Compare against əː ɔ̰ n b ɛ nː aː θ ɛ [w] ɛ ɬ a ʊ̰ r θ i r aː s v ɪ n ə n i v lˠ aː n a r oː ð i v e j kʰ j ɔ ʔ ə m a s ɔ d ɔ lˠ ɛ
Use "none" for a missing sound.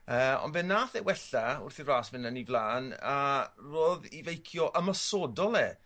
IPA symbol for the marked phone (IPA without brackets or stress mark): w